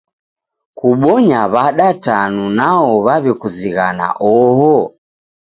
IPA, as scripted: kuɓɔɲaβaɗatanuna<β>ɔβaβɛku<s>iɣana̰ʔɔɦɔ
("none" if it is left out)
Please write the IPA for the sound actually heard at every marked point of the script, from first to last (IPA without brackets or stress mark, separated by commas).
none, z